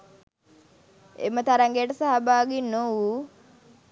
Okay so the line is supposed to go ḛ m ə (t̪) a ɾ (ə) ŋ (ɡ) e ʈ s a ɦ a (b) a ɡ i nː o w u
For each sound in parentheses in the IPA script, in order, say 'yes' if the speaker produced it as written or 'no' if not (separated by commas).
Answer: yes, no, yes, yes